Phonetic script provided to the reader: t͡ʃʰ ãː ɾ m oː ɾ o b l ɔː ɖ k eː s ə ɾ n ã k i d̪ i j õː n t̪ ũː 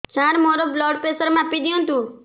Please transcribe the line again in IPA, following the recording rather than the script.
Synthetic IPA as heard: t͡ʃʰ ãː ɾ m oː ɾ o b l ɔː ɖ p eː s ə ɾ m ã p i d̪ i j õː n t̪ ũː